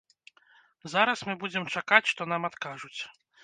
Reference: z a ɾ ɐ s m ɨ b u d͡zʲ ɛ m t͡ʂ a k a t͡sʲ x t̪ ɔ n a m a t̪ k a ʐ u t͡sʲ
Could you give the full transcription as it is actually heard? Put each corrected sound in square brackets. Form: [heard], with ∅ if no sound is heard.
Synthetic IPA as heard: z a ɾ ɐ s m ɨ b u d͡zʲ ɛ m t͡ʂ a k a t͡sʲ [ʂ] t̪ ɔ n a m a t̪ k a ʐ u t͡sʲ

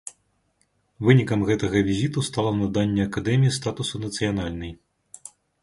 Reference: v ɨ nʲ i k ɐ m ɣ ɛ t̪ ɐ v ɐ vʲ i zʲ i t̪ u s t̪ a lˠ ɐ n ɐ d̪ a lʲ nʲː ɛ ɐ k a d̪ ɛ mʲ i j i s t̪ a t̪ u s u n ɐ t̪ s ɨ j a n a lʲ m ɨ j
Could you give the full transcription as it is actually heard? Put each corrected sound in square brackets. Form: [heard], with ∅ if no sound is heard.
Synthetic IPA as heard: v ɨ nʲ i k ɐ m ɣ ɛ t̪ ɐ [ɣ] ɐ vʲ i zʲ i t̪ u s t̪ a lˠ ɐ n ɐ d̪ a [∅] nʲː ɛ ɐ k a d̪ ɛ mʲ i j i s t̪ a t̪ u s u n ɐ t̪ s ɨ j a n a lʲ [n] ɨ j

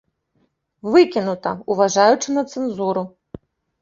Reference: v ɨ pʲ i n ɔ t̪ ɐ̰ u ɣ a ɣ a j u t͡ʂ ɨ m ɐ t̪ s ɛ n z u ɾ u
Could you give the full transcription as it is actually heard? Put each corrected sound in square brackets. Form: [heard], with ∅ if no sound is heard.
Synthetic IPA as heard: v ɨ [kʲ] i n [u] t̪ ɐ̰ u [v] a [ʐ] a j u t͡ʂ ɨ [n] ɐ t̪ s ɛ n z u ɾ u

